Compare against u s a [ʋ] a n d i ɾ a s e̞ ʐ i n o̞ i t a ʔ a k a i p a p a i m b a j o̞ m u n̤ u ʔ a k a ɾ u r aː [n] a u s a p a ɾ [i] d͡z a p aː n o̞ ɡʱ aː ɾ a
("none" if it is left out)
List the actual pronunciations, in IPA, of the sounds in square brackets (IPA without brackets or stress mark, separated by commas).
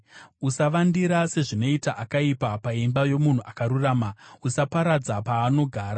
ʋ, m, a